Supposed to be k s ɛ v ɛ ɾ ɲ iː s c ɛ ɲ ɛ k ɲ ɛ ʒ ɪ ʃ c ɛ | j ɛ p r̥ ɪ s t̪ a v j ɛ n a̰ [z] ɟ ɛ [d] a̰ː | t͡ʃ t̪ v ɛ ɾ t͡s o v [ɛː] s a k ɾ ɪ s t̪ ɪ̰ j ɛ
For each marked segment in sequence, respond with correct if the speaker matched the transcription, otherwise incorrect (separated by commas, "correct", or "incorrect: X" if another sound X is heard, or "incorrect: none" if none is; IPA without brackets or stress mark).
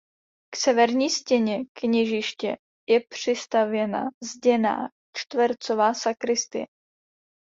correct, incorrect: n, incorrect: aː